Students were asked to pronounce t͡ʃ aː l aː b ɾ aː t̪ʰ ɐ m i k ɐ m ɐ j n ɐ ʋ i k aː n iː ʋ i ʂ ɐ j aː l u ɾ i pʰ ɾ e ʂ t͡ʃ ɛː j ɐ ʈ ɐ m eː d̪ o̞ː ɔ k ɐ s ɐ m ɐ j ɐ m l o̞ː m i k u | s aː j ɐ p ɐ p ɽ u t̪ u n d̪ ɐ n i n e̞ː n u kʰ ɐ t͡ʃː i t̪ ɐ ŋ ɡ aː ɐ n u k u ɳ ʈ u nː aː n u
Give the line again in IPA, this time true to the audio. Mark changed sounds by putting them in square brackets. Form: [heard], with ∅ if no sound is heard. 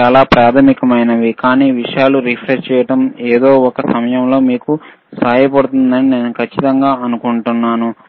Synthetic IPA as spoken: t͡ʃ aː l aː [p] ɾ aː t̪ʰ ɐ m i k ɐ m ɐ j n ɐ ʋ i k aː n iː ʋ i ʂ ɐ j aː l u ɾ i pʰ ɾ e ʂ t͡ʃ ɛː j ɐ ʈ ɐ m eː d̪ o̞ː ɔ k ɐ s ɐ m ɐ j ɐ m l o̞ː m [iː] k u | s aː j ɐ p ɐ [∅] ɽ u t̪ u n d̪ ɐ n i n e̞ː n u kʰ ɐ t͡ʃː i t̪ ɐ ŋ ɡ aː ɐ n u k u ɳ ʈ u nː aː n u

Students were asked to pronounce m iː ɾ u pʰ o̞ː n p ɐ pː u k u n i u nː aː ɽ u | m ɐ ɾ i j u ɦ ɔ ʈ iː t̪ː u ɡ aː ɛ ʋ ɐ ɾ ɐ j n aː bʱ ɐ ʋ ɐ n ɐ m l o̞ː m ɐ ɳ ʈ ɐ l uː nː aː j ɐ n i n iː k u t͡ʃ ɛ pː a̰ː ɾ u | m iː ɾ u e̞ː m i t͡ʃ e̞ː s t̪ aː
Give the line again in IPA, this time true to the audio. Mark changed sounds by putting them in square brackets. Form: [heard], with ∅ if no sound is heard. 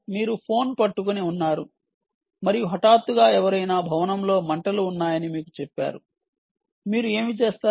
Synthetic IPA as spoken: m iː ɾ u pʰ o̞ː n p ɐ [ʈː] u k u n i u nː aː [ɾ] u | m ɐ ɾ i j u ɦ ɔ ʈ [aː] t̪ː u ɡ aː ɛ ʋ ɐ ɾ ɐ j n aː bʱ ɐ ʋ ɐ n ɐ m l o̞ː m ɐ ɳ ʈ ɐ l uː nː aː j ɐ n i [m] iː k u t͡ʃ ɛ pː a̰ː ɾ u | m iː ɾ u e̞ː m i t͡ʃ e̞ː s t̪ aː

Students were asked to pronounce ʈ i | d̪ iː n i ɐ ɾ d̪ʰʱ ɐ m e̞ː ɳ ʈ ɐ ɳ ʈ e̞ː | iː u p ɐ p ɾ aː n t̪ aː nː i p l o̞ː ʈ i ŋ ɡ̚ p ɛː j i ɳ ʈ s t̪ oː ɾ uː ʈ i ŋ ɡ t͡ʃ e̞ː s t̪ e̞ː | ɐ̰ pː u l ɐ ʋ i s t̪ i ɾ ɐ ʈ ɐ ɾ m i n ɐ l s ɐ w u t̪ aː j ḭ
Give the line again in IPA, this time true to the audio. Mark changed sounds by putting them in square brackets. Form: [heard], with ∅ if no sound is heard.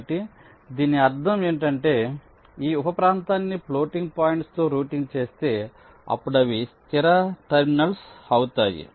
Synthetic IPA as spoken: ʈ i | d̪ iː n i ɐ ɾ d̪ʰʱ ɐ m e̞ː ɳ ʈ ɐ ɳ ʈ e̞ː | iː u p ɐ p ɾ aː n t̪ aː nː i p l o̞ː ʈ i ŋ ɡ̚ p [aː] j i ɳ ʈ s t̪ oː ɾ uː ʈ i ŋ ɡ t͡ʃ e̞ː s t̪ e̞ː | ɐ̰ pː u [ɽ] ɐ ʋ i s t̪ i ɾ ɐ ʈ ɐ ɾ m i n ɐ l s ɐ w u t̪ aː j ḭ

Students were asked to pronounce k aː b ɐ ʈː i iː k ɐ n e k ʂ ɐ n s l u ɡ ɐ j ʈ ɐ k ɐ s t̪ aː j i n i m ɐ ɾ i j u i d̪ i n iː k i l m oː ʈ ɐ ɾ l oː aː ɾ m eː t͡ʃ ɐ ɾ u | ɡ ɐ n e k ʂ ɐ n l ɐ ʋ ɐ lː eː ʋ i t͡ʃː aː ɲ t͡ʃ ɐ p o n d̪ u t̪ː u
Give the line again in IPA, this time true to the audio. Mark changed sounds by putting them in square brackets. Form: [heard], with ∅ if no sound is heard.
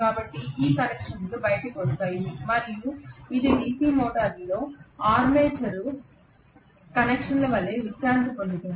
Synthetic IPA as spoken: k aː b ɐ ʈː i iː k ɐ n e k ʂ ɐ n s l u [b] ɐ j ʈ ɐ k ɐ s t̪ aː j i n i m ɐ ɾ i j u i d̪ i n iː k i l m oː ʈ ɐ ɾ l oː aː ɾ m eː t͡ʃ ɐ ɾ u | [k] ɐ n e k ʂ ɐ n l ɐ ʋ ɐ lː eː ʋ i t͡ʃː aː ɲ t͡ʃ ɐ p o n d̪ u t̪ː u

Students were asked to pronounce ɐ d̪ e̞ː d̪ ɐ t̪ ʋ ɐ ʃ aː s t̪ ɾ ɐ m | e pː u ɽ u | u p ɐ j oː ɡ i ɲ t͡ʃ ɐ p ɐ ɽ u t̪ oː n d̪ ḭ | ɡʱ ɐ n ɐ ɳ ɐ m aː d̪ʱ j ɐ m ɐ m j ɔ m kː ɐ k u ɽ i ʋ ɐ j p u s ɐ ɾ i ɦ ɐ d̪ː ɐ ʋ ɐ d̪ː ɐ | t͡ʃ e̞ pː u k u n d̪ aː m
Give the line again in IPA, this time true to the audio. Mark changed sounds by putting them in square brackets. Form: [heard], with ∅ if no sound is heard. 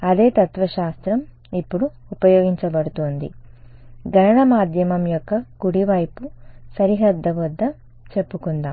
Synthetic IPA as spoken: ɐ d̪ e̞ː [t̪] ɐ t̪ ʋ ɐ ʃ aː s t̪ ɾ ɐ m | [i] pː u ɽ u | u p ɐ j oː ɡ i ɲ t͡ʃ ɐ [b] ɐ ɽ u t̪ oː n d̪ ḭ | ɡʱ ɐ n ɐ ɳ ɐ m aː d̪ʱ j ɐ m ɐ m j ɔ [∅] kː ɐ k u ɽ i ʋ ɐ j p u s ɐ ɾ i ɦ ɐ d̪ː ɐ ʋ ɐ d̪ː ɐ | t͡ʃ e̞ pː u k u n d̪ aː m

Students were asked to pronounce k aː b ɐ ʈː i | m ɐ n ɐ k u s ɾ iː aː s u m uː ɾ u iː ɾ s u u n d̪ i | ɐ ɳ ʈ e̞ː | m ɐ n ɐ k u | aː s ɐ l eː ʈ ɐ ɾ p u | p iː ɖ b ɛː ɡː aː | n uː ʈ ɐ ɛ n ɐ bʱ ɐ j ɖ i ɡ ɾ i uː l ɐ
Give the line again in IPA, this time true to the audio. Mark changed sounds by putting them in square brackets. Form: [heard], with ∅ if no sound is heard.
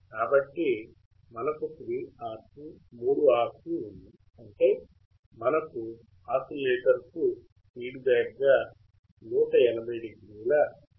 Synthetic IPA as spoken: k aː b ɐ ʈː i | m ɐ n ɐ k u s ɾ iː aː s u m uː [ɽ] u [aː] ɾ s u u n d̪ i | ɐ ɳ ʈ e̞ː | m ɐ n ɐ k u | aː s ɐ l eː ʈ ɐ ɾ [k] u | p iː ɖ b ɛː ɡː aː | n uː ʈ ɐ ɛ n ɐ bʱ ɐ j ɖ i ɡ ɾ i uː l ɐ

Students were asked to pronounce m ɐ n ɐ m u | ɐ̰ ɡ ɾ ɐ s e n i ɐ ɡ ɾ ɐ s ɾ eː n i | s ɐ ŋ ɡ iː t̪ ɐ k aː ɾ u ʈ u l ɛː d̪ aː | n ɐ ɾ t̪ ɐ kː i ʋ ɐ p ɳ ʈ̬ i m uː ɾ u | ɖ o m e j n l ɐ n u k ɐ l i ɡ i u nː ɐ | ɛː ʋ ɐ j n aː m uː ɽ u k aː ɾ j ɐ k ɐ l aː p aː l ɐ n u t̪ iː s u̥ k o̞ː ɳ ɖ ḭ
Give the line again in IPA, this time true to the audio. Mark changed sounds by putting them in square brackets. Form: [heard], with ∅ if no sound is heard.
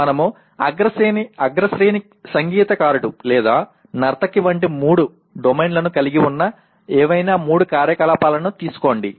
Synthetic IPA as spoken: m ɐ n ɐ m u | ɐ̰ ɡ ɾ ɐ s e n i ɐ ɡ ɾ ɐ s ɾ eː n i | s ɐ ŋ ɡ iː t̪ ɐ k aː ɾ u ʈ u l ɛː d̪ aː | n ɐ ɾ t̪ ɐ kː i ʋ ɐ [∅] ɳ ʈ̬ i m uː [ɽ] u | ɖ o m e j n l ɐ n u k ɐ l i ɡ i u nː ɐ | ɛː ʋ ɐ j n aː m uː ɽ u k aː ɾ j ɐ k ɐ l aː p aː l ɐ n u t̪ iː s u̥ k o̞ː ɳ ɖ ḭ

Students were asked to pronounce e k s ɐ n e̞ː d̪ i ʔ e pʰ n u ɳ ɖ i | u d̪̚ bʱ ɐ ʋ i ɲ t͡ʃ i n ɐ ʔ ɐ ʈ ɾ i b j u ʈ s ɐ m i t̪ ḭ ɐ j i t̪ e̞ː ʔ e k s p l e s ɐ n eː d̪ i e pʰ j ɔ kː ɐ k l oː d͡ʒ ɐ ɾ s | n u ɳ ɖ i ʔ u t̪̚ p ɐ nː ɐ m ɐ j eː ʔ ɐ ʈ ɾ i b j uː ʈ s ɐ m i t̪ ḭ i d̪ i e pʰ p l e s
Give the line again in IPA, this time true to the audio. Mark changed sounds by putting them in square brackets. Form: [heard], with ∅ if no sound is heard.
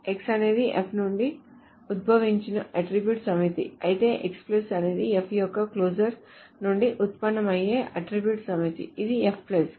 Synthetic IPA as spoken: e k s ɐ n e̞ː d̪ i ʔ e pʰ n u ɳ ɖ i | u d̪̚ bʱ ɐ ʋ i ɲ t͡ʃ i n ɐ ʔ ɐ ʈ ɾ i b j u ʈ s ɐ m i t̪ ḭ ɐ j i t̪ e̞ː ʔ e k s p l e s ɐ n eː d̪ i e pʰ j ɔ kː ɐ k l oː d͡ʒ ɐ ɾ s | n u ɳ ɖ i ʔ u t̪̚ p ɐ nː ɐ m ɐ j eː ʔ ɐ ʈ ɾ i b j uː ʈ s ɐ m i t̪ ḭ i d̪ i e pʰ p l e s

